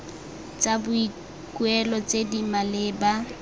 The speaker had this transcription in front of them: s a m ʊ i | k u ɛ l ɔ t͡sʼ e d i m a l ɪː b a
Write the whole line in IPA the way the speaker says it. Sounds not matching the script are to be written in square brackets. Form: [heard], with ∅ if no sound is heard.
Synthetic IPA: [t͡s] a [b] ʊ i | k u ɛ l ɔ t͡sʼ e d i m a l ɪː b a